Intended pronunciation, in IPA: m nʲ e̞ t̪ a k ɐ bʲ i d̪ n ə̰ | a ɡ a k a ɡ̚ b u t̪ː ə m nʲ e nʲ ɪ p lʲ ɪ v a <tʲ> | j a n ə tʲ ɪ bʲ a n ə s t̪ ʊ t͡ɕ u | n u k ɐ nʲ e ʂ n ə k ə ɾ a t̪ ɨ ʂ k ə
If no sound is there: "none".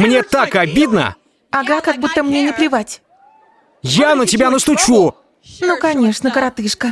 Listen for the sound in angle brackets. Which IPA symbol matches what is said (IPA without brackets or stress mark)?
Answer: tʲ